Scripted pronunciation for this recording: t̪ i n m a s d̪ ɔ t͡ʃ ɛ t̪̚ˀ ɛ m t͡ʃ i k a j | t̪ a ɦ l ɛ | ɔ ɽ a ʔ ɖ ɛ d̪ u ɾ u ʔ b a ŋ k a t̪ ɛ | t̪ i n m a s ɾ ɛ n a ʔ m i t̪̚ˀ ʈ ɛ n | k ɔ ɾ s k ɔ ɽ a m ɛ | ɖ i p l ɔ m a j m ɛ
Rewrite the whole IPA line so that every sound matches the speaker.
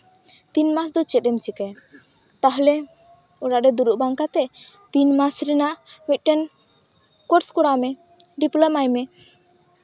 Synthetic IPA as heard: t̪ i n m a s d̪ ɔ t͡ʃ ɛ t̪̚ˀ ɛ m t͡ʃ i k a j | t̪ a ɦ l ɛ | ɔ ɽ a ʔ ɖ ɛ d̪ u ɾ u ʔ b a ŋ k a t̪ ɛ | t̪ i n m a s ɾ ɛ n a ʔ m i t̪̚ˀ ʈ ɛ n | k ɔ ɾ s k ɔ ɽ a m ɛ | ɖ i p l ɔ m a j m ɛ